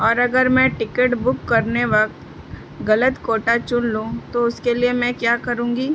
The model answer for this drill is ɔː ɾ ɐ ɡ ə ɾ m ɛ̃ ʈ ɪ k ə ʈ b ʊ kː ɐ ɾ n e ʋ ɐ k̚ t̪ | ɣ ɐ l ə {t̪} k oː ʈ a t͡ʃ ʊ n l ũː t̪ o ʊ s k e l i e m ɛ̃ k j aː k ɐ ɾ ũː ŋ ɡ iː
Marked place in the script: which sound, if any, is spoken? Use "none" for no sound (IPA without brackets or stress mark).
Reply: t̪